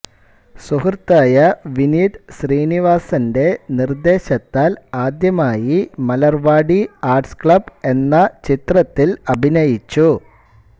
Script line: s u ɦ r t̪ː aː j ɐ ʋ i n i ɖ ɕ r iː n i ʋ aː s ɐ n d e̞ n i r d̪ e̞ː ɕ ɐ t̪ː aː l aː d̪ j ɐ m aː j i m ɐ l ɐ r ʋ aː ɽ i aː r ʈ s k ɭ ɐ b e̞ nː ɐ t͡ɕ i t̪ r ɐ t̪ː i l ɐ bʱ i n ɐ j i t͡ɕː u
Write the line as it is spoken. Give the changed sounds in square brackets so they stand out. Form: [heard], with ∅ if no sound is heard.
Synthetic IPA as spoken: s u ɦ r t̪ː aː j ɐ ʋ i n i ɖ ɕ r iː n i ʋ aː s ɐ n d e̞ n i r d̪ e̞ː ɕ ɐ t̪ː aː l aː d̪ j ɐ m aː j i m ɐ l ɐ r ʋ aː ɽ i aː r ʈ s k ɭ ɐ b e̞ nː ɐ t͡ɕ i t̪ r ɐ t̪ː i l ɐ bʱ i n ɐ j i t͡ɕː u